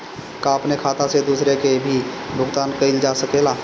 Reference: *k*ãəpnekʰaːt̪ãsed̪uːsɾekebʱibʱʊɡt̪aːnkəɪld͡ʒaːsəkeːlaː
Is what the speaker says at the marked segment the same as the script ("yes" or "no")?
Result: yes